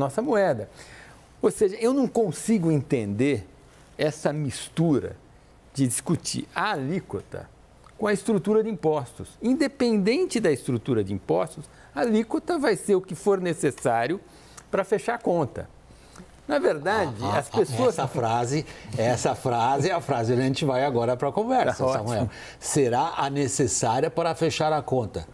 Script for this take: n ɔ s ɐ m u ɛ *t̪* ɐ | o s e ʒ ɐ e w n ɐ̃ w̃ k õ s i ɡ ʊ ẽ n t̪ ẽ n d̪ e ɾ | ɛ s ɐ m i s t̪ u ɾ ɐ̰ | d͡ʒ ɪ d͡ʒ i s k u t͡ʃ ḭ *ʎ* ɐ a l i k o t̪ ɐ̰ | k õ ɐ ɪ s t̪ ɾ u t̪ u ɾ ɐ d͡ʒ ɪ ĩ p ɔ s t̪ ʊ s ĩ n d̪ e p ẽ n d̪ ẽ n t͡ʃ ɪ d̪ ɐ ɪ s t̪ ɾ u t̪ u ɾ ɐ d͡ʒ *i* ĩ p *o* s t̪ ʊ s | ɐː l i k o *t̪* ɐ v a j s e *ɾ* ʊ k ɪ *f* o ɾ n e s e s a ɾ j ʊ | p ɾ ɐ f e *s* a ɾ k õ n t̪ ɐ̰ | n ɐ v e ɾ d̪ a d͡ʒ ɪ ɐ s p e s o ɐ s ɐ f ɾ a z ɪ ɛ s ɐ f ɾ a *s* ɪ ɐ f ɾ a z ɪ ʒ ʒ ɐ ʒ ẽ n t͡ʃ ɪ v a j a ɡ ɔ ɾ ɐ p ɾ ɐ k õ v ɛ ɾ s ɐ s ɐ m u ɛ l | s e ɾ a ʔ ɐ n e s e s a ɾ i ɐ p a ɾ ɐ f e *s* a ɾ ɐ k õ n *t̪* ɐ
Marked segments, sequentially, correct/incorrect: incorrect, incorrect, incorrect, incorrect, correct, correct, correct, incorrect, incorrect, incorrect, correct

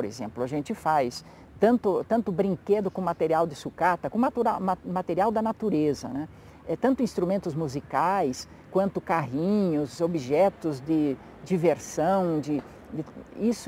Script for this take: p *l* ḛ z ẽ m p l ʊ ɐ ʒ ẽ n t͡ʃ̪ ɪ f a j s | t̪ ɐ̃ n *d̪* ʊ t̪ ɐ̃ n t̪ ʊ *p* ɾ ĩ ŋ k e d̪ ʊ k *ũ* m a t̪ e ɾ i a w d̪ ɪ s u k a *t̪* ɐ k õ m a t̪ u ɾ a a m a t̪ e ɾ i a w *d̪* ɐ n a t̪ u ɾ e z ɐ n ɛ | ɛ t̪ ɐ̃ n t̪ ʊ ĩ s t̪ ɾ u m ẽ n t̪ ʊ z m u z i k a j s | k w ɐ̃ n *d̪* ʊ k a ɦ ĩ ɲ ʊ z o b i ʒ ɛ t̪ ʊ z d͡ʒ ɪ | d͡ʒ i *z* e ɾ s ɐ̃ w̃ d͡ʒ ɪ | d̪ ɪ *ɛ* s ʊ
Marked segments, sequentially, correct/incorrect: incorrect, incorrect, incorrect, incorrect, correct, correct, incorrect, incorrect, incorrect

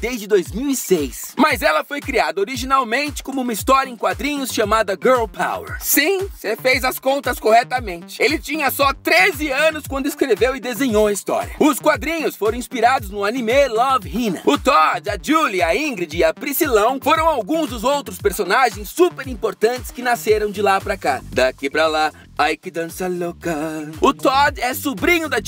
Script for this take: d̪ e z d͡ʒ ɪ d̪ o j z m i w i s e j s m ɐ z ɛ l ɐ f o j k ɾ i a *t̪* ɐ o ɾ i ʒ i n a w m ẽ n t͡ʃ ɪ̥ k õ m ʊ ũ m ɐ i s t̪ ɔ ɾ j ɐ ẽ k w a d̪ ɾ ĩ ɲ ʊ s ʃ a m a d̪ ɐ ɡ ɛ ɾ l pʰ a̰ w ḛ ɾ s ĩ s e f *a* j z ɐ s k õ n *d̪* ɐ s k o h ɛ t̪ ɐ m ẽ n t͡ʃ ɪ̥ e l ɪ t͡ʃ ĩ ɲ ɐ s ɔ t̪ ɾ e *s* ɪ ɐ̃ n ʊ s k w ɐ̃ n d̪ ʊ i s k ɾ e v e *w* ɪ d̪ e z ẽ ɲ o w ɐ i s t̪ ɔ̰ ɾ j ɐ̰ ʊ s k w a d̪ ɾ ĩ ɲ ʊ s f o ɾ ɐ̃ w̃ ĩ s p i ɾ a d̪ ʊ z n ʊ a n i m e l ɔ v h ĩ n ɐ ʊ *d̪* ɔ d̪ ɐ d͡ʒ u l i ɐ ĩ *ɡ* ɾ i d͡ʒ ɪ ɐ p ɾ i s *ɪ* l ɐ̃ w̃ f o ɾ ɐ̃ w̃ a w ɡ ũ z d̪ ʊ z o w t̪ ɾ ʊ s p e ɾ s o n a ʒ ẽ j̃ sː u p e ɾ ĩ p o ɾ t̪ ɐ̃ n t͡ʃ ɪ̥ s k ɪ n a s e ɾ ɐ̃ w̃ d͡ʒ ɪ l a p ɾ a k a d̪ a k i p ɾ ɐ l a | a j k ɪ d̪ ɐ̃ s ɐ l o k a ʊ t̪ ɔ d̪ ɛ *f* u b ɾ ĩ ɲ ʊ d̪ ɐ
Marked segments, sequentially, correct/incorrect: incorrect, incorrect, incorrect, incorrect, correct, incorrect, correct, incorrect, incorrect

